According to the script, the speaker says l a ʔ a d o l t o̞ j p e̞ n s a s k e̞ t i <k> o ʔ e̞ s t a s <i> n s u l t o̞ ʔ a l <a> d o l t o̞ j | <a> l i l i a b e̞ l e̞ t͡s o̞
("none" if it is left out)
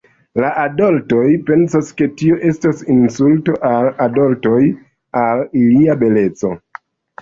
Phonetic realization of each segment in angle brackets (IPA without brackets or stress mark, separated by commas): none, i, a, a